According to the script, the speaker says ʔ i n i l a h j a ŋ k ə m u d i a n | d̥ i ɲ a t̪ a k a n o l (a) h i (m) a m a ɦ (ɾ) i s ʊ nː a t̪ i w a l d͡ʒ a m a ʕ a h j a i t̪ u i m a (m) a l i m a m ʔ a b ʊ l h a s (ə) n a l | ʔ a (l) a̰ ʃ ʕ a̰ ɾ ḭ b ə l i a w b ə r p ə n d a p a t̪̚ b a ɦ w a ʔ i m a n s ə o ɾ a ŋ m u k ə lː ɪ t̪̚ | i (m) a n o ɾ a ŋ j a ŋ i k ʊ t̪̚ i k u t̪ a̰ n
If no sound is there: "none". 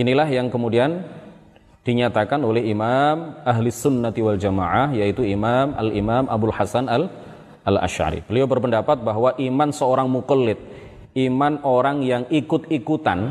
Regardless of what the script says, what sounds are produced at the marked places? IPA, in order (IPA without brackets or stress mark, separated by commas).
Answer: ɛ, m, l, m, a, l, m